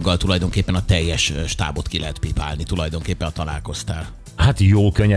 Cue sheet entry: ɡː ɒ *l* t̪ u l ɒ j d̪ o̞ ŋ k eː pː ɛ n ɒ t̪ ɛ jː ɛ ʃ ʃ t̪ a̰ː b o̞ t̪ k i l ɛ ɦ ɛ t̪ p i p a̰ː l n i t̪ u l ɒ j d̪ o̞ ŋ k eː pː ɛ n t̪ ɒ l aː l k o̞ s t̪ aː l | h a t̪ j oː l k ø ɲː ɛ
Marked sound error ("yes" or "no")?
no